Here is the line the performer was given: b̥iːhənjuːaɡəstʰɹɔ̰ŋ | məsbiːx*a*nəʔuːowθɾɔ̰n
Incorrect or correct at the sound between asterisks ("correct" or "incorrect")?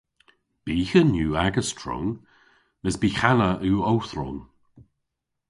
correct